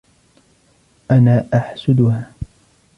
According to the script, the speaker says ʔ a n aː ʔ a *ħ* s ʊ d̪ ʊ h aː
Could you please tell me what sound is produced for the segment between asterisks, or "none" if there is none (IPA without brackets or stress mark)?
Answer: ħ